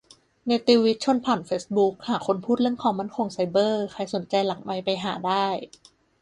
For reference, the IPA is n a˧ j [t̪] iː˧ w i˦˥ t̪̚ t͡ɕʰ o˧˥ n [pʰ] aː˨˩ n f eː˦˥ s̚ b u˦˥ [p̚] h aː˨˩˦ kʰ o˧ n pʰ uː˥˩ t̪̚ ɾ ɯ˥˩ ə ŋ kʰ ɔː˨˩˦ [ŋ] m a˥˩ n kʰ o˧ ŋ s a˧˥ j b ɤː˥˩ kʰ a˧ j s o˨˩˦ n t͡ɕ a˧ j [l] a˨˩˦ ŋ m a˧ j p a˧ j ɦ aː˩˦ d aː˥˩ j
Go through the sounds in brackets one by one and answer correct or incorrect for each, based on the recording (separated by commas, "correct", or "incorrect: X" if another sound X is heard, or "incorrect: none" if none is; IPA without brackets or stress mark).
correct, correct, incorrect: k̚, correct, correct